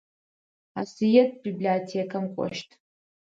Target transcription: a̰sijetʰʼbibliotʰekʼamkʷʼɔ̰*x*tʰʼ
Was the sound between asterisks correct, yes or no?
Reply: no